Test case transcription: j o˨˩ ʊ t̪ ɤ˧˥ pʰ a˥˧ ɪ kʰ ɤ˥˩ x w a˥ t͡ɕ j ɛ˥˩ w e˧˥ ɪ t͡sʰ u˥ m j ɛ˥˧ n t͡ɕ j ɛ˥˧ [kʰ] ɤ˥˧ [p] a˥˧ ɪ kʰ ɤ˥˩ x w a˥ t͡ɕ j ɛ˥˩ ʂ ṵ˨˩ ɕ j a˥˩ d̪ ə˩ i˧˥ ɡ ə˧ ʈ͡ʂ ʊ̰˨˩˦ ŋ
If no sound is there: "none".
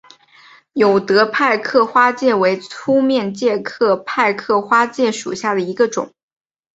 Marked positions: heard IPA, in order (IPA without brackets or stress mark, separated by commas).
kʰ, pʰ